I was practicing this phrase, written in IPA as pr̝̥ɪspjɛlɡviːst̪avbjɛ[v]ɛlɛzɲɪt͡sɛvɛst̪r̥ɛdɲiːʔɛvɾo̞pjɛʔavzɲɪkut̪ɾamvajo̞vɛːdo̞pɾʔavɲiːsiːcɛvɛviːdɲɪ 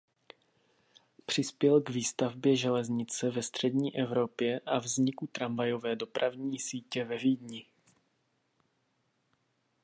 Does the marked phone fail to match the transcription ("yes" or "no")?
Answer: yes